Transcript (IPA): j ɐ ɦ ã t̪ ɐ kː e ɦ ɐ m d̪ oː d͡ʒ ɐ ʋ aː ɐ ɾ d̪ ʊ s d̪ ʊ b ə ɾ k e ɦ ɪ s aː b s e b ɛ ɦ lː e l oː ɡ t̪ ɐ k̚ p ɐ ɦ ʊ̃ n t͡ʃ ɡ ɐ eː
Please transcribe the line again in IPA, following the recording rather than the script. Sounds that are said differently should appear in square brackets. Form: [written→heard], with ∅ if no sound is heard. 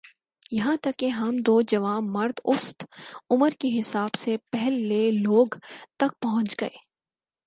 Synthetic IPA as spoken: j ɐ ɦ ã t̪ ɐ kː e ɦ ɐ m d̪ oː d͡ʒ ɐ ʋ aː ɐ ɾ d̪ ʊ s [d̪→t̪] ʊ [b→m] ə ɾ k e ɦ ɪ s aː b s e [b→p] ɛ ɦ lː e l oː ɡ t̪ ɐ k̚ p ɐ ɦ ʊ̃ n t͡ʃ ɡ ɐ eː